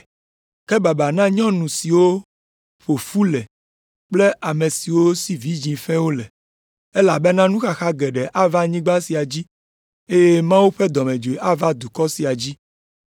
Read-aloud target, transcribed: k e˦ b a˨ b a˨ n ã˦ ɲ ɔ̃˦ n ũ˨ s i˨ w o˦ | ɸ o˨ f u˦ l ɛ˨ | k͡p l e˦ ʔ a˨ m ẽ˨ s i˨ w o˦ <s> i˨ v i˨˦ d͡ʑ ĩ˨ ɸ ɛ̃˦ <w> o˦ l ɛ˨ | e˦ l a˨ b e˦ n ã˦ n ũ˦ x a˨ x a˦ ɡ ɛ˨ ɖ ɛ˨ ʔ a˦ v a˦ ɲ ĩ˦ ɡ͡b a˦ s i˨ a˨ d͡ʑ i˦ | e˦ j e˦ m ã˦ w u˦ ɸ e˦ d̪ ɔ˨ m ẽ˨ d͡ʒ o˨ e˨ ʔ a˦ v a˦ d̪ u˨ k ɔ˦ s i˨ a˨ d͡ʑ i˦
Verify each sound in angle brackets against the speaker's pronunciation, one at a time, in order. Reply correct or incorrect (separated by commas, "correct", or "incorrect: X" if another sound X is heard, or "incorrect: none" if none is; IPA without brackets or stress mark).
correct, correct